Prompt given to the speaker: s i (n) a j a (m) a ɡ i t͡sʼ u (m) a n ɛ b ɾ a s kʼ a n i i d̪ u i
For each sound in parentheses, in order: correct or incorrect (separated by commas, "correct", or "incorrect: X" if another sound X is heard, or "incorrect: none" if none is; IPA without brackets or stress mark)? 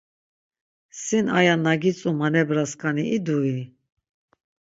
correct, incorrect: n, correct